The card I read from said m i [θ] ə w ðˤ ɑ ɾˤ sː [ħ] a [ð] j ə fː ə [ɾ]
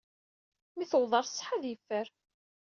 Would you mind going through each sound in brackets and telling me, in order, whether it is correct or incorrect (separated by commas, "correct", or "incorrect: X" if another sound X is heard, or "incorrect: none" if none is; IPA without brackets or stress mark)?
correct, correct, correct, correct